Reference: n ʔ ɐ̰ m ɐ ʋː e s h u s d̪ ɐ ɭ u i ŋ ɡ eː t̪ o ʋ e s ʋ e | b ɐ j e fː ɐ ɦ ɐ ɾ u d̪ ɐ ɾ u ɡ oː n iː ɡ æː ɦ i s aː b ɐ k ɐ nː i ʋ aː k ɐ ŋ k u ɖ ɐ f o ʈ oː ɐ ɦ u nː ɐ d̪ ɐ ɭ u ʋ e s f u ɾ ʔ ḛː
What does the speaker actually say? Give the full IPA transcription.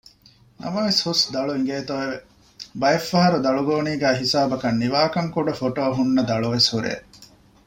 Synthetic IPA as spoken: n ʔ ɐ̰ m ɐ ʋ e s h u s d̪ ɐ ɭ u i ŋ ɡ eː t̪ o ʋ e ʋ e | b ɐ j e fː ɐ ɦ ɐ ɾ u d̪ ɐ ɭ u ɡ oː n iː ɡ æː ɦ i s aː b ɐ k ɐ nː i ʋ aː k ɐ ŋ k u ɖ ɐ f o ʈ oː ɐ ɦ u nː ɐ d̪ ɐ ɭ u ʋ e s h u ɾ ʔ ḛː